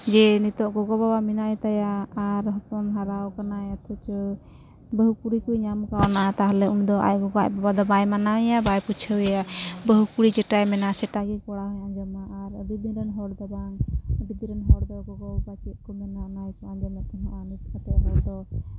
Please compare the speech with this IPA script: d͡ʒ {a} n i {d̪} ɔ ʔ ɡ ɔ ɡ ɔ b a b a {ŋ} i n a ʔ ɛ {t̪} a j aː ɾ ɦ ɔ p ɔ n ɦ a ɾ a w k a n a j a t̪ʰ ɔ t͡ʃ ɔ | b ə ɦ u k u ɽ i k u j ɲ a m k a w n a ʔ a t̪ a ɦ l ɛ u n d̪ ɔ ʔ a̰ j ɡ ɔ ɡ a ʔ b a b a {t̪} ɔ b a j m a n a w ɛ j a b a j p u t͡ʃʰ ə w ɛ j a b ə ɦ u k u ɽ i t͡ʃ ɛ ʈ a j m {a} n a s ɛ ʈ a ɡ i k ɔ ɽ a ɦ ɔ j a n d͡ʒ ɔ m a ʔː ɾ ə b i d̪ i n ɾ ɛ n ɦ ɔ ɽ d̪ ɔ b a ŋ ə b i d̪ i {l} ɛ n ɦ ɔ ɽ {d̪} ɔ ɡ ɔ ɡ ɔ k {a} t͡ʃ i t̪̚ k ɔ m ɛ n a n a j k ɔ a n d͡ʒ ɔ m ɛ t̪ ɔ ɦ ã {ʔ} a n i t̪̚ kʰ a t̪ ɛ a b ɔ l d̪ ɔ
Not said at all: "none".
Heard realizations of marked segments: ɛ, t̪, m, t̪, d̪, ɛ, ɾ, d̪, a, ʔ

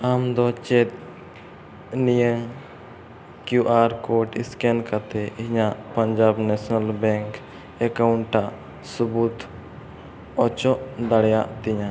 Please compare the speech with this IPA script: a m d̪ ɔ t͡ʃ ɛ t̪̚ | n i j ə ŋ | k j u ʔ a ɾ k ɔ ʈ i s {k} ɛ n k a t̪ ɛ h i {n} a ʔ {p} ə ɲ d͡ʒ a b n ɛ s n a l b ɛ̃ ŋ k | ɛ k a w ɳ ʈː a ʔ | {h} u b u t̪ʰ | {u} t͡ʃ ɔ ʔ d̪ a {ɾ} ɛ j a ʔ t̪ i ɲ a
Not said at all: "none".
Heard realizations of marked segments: k, ɲ, p, s, ɔ, ɽ

